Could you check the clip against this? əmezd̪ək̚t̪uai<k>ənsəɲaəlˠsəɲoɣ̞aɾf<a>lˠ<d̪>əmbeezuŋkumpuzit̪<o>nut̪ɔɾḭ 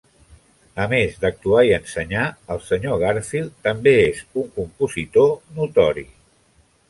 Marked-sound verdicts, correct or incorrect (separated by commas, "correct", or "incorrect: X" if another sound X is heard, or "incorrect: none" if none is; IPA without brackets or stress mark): incorrect: none, incorrect: i, incorrect: t̪, correct